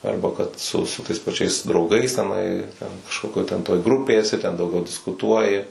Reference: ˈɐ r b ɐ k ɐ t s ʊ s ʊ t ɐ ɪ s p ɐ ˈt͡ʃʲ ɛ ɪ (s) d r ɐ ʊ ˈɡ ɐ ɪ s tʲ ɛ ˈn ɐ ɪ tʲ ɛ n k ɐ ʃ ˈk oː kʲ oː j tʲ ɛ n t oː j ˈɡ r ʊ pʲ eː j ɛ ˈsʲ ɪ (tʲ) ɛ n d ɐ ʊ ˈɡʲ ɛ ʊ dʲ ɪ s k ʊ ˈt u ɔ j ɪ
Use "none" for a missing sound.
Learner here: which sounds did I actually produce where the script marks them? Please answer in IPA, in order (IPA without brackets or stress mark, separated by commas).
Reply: s, tʲ